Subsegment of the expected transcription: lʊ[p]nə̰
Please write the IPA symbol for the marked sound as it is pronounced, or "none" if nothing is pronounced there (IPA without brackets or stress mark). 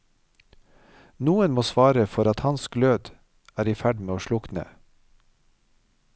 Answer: k